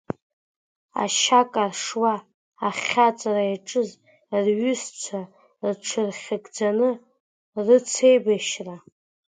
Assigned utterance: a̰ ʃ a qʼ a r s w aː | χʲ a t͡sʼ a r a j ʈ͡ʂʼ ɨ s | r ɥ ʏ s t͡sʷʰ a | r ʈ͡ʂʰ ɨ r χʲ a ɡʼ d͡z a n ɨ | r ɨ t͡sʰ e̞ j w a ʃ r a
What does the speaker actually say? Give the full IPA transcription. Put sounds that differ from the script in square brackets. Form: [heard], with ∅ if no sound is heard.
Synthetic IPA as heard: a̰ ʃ a [kʼ] a r [ʂ] w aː | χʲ a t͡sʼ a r a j ʈ͡ʂʼ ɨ [z] | r ɥ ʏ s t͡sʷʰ a | r ʈ͡ʂʰ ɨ r χʲ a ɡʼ d͡z a n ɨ | r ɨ t͡sʰ e̞ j [b] a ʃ r a

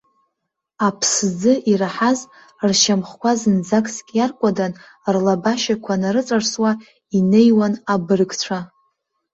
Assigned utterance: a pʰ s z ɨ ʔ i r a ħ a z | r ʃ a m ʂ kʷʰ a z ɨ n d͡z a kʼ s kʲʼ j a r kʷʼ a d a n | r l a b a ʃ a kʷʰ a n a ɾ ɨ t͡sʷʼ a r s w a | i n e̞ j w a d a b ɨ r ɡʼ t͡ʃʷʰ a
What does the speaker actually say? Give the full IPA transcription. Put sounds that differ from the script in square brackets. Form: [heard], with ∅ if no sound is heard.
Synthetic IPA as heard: a pʰ s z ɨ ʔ i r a ħ a z | r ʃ a m [χ] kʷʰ a z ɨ n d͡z a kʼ s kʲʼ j a r kʷʼ a d a n | r l a b a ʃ a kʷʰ a n a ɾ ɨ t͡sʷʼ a r s w a | i n e̞ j w a [n] a b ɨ r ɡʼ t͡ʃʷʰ a

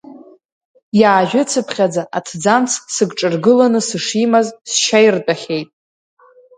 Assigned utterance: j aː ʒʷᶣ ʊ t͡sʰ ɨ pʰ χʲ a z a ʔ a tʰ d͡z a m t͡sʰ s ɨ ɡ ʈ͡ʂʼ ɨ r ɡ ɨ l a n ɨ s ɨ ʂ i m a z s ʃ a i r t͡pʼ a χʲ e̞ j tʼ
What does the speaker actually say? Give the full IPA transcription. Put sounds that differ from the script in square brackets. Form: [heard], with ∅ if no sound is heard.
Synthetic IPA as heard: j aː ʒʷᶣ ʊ t͡sʰ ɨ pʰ χʲ a [d͡z] a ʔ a tʰ d͡z a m t͡sʰ s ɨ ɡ ʈ͡ʂʼ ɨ r ɡ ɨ l a n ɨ s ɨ ʂ i m a z s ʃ a [j] r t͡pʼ a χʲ e̞ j tʼ

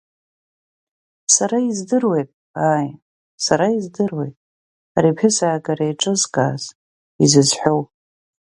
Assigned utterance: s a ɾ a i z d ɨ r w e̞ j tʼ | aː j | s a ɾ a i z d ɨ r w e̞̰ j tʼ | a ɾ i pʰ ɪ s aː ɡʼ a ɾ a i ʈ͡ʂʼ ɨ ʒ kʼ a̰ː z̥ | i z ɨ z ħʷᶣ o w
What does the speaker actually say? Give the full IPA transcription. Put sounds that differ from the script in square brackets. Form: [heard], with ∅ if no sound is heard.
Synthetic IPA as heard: s a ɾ a i z d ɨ r w e̞ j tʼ | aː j | s a ɾ a i z d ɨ r w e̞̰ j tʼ | a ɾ i pʰ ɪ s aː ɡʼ a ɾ a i ʈ͡ʂʼ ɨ [z] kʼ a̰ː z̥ | i z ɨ z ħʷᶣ o w

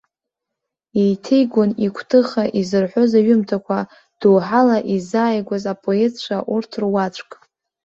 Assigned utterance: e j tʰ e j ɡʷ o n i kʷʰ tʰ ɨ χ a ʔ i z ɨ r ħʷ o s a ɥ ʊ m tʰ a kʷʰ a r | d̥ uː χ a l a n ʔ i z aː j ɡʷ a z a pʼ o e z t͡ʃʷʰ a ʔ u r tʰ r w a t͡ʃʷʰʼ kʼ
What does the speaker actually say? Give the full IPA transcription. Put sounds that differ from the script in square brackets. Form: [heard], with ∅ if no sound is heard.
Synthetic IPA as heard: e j tʰ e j ɡʷ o n i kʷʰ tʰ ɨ χ a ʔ i z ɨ r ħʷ o [z] a ɥ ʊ m tʰ a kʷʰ a [∅] | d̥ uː [ħ] a l a [∅] ʔ i z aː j ɡʷ a z a pʼ o e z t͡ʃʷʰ a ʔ u r tʰ r w a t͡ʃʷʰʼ kʼ

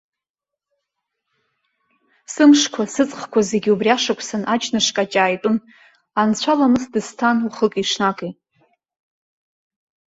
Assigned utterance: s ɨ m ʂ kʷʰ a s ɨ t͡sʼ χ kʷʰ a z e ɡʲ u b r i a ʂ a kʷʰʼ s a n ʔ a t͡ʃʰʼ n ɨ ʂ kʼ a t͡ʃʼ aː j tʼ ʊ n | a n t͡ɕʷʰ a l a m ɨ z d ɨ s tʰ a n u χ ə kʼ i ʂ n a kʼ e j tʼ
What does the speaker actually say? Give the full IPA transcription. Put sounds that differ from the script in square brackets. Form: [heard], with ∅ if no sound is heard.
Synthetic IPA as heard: s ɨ m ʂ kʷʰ a s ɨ t͡sʼ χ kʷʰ a z e ɡʲ u b r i a ʂ a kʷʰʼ s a n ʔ a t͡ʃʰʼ n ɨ ʂ kʼ a t͡ʃʼ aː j tʼ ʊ n | a n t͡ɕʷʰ a l a m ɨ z d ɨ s tʰ a n u χ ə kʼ i ʂ n a kʼ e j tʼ

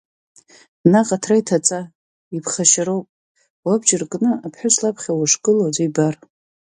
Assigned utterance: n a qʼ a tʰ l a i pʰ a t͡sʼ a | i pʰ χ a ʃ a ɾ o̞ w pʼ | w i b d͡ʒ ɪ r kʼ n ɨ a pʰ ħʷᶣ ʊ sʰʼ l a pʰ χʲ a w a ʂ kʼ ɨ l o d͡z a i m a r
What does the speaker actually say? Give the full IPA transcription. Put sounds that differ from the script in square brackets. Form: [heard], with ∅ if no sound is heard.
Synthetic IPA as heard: n a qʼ a tʰ [r] a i [tʰ] a t͡sʼ a | i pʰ χ a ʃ a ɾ o̞ w pʼ | w [a] b d͡ʒ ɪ r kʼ n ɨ a pʰ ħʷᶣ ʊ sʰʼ l a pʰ χʲ a w a ʂ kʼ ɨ l o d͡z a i [b] a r

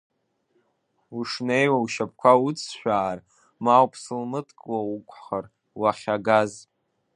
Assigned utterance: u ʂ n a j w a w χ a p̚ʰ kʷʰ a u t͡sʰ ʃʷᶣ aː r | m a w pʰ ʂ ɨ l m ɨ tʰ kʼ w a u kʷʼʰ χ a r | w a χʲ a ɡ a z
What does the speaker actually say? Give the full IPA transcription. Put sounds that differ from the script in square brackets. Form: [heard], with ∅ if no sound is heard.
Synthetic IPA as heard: u ʂ n [e] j w a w [ʃ] a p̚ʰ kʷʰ a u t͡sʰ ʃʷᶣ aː r | m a w pʰ [s] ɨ l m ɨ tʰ kʼ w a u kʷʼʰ χ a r | w a χʲ a ɡ a z

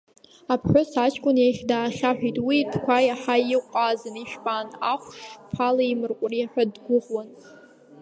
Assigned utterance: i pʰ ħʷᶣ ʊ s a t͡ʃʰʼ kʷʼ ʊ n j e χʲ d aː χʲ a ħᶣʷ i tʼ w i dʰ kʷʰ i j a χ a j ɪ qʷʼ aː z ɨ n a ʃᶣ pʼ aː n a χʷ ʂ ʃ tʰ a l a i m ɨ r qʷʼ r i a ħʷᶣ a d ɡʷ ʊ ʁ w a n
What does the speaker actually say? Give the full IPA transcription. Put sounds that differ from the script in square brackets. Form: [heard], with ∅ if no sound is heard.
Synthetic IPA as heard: [a] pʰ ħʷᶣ ʊ s a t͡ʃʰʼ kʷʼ ʊ n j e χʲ d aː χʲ a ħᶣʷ i tʼ w i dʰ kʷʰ [a] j a [ħ] a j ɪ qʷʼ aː z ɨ n [i] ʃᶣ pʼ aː n a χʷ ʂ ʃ [pʰ] a l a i m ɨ r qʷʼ r i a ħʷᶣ a d ɡʷ ʊ ʁ w a n

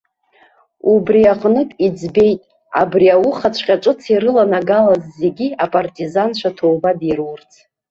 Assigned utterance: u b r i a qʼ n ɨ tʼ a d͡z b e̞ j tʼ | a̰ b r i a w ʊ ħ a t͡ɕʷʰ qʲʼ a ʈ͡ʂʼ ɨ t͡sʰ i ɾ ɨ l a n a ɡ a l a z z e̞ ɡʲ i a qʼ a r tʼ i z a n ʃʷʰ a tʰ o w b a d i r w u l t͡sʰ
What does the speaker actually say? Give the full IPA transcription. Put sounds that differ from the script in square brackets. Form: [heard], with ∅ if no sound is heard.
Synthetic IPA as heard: u b r i a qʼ n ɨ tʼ [i] d͡z b e̞ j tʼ | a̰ b r i a w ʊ [χ] a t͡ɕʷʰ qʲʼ a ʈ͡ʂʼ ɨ t͡sʰ i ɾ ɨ l a n a ɡ a l a z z e̞ ɡʲ i a [pʼ] a r tʼ i z a n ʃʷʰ a tʰ o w b a d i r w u [r] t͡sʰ

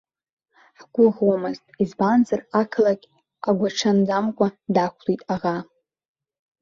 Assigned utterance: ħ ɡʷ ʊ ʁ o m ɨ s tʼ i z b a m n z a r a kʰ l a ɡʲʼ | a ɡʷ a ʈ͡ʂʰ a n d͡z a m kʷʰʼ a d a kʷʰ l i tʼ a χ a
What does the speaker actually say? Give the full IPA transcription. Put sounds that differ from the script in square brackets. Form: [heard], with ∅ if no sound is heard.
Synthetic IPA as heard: ħ ɡʷ ʊ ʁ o m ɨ [z] tʼ i z b a [∅] n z a r a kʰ l a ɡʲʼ | a ɡʷ a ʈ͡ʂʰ a n d͡z a m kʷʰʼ a d a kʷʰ l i tʼ a [ʁ] a

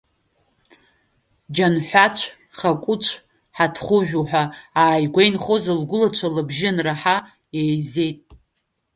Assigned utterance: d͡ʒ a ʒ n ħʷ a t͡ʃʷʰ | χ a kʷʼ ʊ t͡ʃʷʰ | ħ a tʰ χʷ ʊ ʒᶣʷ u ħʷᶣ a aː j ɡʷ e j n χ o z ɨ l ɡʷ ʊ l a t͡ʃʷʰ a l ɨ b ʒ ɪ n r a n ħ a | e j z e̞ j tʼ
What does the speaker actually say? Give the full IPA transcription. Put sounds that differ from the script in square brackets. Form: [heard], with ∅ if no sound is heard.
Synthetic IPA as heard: d͡ʒ a [∅] n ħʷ a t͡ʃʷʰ | χ a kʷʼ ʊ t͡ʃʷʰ | ħ a tʰ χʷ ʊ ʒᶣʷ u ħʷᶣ a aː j ɡʷ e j n χ o z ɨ l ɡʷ ʊ l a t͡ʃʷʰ a l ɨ b ʒ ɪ n r a [∅] ħ a | e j z e̞ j tʼ

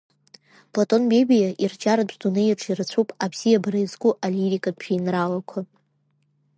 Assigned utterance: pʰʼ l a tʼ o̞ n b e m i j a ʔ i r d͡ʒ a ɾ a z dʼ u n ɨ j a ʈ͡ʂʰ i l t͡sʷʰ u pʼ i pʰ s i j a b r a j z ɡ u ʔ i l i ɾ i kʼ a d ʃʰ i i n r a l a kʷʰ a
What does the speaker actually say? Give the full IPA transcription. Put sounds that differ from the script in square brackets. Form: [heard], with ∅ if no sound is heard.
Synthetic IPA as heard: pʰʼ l a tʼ o̞ n b e [b] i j a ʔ i r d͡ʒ a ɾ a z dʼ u n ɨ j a ʈ͡ʂʰ i [r] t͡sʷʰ u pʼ [a] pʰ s i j a b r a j z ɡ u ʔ [a] l i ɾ i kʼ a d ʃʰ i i n r a l a kʷʰ a

